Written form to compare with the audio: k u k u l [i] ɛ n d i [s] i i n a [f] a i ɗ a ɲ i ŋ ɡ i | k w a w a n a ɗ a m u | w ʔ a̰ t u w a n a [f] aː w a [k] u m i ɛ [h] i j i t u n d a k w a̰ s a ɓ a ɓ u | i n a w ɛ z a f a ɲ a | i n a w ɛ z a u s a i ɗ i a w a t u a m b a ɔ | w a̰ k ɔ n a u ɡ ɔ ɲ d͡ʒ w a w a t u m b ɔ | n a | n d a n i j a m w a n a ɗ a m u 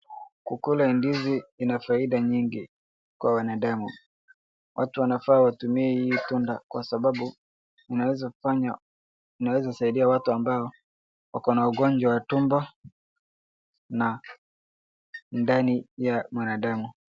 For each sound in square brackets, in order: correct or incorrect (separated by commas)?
incorrect, incorrect, correct, correct, incorrect, correct